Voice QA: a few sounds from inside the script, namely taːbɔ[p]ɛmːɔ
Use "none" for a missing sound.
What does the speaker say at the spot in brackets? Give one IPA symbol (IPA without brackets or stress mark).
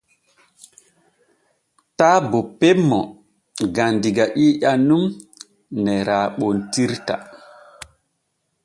p